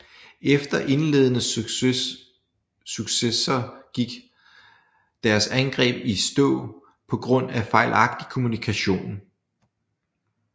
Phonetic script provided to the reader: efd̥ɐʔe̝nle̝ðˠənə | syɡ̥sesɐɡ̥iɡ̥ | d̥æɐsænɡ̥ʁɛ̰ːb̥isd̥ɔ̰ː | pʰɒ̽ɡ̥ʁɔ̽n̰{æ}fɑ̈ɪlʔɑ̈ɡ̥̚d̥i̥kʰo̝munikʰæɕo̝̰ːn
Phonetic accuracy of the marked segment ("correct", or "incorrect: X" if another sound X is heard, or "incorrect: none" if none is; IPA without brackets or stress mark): correct